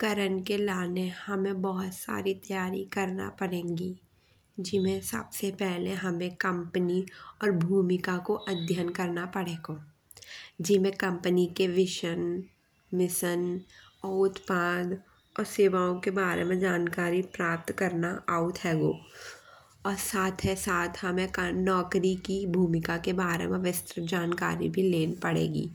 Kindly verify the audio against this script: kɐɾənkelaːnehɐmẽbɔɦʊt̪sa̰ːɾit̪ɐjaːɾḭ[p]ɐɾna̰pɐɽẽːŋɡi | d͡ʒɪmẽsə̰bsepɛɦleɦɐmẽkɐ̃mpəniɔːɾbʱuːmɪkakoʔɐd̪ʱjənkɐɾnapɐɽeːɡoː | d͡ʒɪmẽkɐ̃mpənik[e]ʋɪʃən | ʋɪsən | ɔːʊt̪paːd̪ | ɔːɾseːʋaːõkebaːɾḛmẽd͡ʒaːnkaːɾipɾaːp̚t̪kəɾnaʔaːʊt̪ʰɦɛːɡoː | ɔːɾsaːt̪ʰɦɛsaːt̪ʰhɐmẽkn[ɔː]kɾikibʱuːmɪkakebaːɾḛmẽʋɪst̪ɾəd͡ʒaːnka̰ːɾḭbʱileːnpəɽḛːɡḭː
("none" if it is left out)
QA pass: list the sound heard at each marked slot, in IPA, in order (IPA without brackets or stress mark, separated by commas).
k, e, ɔː